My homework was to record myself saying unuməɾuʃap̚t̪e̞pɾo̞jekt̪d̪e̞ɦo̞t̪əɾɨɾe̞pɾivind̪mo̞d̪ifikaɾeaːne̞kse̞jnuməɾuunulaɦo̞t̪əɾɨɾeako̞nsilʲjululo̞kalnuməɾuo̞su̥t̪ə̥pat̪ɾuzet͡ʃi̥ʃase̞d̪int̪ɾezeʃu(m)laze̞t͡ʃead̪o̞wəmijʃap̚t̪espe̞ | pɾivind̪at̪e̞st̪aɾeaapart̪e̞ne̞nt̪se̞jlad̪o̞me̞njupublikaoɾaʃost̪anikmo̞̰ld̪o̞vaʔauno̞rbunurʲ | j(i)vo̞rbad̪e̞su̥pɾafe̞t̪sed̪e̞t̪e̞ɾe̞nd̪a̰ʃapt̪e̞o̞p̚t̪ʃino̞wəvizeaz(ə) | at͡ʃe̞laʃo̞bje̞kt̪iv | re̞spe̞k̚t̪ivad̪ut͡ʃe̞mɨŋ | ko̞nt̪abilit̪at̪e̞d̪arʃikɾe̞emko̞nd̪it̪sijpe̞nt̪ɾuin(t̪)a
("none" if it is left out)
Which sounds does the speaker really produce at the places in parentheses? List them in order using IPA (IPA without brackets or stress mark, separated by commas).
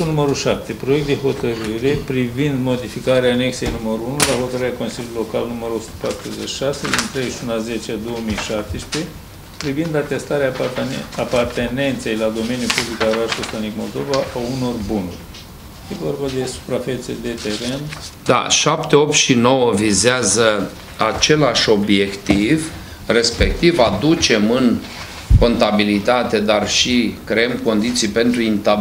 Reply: n, e, ə, t̪